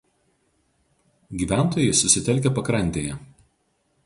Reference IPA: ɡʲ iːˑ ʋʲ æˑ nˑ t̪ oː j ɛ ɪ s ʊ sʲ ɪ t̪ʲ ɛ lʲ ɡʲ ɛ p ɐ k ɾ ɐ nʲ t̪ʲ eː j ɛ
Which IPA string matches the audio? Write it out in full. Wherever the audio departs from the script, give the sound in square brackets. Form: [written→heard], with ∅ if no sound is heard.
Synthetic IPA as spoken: ɡʲ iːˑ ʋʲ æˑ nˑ t̪ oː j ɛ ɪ s ʊ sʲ ɪ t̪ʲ ɛ lʲ [ɡʲ→kʲ] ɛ p ɐ k ɾ ɐ nʲ t̪ʲ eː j ɛ